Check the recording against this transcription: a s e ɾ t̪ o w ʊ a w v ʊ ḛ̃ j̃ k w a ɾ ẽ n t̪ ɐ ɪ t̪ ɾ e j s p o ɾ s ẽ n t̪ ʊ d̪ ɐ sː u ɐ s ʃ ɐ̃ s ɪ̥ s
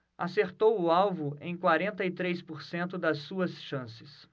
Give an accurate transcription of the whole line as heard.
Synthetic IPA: a s e ɾ t̪ o w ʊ a w v ʊ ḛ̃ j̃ k w a ɾ ẽ n t̪ ɐ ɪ t̪ ɾ e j s p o ɾ s ẽ n t̪ ʊ d̪ ɐ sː u ɐ s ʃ ɐ̃ s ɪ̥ s